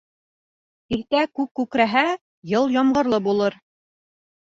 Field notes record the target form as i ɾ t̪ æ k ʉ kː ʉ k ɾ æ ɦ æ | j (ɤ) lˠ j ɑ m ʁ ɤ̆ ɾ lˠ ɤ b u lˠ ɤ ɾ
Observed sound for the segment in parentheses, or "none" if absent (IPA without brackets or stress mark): ɤ